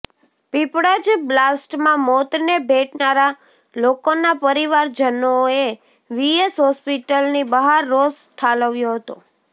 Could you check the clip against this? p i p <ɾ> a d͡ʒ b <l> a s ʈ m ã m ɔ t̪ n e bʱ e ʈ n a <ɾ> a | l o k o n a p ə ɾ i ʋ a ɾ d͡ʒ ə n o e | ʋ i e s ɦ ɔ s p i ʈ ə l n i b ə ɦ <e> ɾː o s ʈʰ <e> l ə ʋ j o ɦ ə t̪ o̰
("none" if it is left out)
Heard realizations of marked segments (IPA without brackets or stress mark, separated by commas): ɽ, l, ɾ, a, a